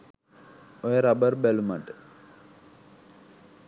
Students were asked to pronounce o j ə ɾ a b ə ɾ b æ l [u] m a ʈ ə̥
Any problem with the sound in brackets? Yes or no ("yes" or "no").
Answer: no